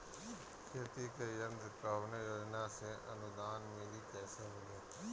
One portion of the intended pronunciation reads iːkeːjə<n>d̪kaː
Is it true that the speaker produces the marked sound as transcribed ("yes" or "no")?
yes